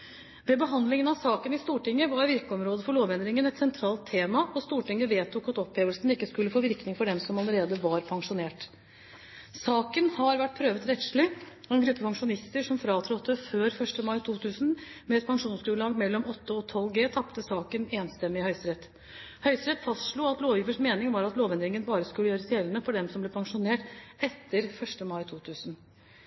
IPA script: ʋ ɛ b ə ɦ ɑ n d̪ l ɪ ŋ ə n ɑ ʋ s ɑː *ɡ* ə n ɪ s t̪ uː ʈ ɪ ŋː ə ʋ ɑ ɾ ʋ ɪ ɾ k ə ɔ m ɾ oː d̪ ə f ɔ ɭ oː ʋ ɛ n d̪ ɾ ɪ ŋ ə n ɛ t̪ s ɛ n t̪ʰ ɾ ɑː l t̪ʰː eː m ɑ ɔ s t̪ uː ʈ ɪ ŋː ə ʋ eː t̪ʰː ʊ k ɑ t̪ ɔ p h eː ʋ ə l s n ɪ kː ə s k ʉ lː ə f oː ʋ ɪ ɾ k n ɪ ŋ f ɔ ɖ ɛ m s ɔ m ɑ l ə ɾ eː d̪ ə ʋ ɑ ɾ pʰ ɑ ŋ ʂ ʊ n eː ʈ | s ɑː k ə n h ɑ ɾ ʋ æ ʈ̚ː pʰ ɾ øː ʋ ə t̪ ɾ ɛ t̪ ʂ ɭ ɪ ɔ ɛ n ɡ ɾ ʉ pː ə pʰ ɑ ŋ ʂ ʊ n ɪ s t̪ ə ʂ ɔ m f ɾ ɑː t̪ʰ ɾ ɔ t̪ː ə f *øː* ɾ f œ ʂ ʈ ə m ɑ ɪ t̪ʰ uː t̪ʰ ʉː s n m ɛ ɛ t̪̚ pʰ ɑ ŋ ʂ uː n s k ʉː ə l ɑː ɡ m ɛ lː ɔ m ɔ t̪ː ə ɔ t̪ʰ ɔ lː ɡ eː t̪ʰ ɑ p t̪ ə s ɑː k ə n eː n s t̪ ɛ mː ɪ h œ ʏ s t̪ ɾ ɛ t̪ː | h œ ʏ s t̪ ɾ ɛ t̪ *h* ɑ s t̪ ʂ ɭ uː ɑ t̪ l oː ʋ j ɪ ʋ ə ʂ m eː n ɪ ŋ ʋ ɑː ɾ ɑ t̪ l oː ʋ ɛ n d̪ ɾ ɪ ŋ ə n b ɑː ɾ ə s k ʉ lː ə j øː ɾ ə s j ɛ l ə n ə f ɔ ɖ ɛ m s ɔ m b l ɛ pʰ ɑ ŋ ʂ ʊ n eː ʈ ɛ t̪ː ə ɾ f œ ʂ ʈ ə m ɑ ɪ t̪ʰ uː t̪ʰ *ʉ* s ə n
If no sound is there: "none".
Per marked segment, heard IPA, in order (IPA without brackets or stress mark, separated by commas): k, øː, f, ʉː